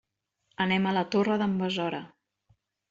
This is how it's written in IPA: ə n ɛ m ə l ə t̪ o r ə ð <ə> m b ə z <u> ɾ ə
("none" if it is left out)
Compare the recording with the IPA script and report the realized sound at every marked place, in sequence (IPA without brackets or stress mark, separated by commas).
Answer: ə, ɔ